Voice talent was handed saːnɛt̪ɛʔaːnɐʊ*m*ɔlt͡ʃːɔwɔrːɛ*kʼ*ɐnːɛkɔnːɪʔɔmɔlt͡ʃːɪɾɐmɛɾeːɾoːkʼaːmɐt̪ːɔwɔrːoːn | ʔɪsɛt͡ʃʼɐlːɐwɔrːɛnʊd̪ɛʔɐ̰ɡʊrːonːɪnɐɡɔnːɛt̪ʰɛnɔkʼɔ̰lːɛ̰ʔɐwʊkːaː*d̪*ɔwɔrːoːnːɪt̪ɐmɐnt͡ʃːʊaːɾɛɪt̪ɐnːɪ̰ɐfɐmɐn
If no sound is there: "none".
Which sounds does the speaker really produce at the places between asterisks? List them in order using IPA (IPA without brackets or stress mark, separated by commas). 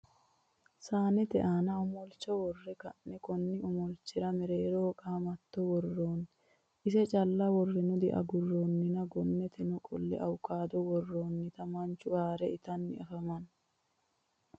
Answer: m, k, d̪